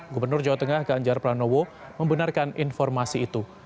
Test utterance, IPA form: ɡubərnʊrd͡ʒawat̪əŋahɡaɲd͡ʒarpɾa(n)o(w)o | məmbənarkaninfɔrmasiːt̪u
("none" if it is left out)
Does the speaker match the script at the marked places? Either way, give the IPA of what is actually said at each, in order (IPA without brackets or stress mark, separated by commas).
n, w